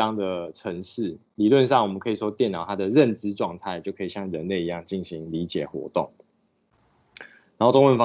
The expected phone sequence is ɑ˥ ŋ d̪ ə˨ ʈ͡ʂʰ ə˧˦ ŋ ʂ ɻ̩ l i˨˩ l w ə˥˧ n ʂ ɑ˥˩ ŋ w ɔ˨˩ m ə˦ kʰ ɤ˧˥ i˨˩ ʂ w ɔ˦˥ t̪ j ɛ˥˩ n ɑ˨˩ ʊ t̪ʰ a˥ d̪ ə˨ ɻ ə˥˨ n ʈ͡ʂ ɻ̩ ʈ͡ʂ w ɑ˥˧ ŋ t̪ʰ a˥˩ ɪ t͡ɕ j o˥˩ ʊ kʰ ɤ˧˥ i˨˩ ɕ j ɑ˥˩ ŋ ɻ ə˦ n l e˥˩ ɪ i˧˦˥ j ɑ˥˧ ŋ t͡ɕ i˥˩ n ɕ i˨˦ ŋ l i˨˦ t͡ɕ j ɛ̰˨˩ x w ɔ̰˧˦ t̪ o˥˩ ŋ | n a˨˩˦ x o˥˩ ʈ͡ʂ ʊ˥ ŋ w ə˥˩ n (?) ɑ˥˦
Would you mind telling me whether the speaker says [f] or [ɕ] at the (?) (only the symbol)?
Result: f